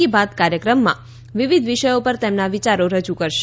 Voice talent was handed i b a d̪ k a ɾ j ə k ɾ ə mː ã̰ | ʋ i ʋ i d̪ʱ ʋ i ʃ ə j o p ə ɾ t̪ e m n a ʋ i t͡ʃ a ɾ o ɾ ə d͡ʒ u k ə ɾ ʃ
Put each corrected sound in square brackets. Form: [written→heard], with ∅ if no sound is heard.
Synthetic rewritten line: i b a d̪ k a ɾ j ə k ɾ ə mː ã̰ | ʋ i ʋ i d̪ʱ ʋ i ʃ ə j o p ə ɾ t̪ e m n a ʋ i t͡ʃ a ɾ o ɾ ə d͡ʒ u k ə ɾ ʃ

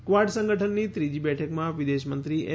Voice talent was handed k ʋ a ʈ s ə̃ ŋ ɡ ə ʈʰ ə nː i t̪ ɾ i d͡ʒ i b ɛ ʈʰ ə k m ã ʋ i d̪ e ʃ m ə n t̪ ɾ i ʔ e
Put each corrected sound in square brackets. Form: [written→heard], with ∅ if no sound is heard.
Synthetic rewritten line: k ʋ a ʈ s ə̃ ŋ ɡ ə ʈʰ ə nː i t̪ ɾ i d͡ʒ i b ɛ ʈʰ ə k m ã ʋ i d̪ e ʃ m ə n t̪ ɾ i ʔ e

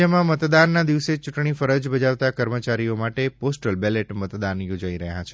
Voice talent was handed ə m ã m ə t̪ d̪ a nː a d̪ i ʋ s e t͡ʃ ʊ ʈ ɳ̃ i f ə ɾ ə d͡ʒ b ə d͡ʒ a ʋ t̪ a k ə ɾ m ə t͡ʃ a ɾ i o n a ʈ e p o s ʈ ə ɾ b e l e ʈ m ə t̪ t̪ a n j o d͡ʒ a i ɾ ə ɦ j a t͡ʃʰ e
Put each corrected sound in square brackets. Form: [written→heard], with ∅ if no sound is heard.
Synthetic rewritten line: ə m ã m ə t̪ d̪ a nː a d̪ i ʋ s e t͡ʃ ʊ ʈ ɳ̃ i f ə ɾ ə d͡ʒ b ə d͡ʒ a ʋ t̪ a k ə ɾ m ə t͡ʃ a ɾ i o [n→m] a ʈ e p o s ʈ ə [ɾ→l] b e l e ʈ m ə t̪ [t̪→d̪] a n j o d͡ʒ a i ɾ ə ɦ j a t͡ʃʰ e

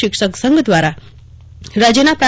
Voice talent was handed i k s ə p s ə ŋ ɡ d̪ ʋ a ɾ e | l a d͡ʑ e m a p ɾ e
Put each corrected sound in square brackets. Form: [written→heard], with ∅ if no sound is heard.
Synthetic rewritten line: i k [s→ʂ] ə [p→k] s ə ŋ ɡ d̪ ʋ a ɾ [e→a] | [l→ɾ] a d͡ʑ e [m→n] a p ɾ [e→a]

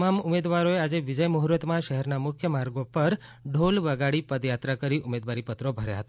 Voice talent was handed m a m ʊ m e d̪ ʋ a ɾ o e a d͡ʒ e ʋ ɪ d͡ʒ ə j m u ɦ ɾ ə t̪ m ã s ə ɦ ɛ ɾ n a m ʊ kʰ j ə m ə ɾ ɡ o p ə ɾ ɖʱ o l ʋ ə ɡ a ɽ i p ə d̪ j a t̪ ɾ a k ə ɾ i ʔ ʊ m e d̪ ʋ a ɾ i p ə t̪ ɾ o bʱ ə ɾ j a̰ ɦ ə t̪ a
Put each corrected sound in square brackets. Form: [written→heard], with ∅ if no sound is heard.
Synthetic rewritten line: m a m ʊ m e d̪ ʋ a ɾ o e a d͡ʒ e ʋ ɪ d͡ʒ ə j m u ɦ ɾ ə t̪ m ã [s→ʃ] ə ɦ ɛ ɾ n a m ʊ kʰ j ə m [ə→a] ɾ ɡ o p ə ɾ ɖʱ o l ʋ ə ɡ a ɽ i p ə d̪ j a t̪ ɾ a k ə ɾ i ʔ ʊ m e d̪ ʋ a ɾ i p ə t̪ ɾ o bʱ ə ɾ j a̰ ɦ ə t̪ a

